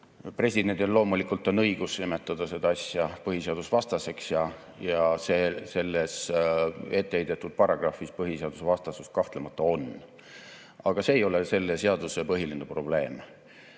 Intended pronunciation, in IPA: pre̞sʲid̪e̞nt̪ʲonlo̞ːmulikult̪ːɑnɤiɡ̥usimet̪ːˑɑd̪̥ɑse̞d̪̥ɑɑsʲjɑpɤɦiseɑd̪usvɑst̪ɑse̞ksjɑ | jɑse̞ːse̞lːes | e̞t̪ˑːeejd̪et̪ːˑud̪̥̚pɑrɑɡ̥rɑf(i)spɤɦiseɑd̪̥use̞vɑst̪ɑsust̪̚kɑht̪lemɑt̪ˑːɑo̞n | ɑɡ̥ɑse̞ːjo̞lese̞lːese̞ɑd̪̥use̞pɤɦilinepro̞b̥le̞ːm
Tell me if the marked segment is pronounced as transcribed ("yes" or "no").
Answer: yes